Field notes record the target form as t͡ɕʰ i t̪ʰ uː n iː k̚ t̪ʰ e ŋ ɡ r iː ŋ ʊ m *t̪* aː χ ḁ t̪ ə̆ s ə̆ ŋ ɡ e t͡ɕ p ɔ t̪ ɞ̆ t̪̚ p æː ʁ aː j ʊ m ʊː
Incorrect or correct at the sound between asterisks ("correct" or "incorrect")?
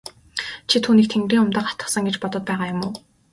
correct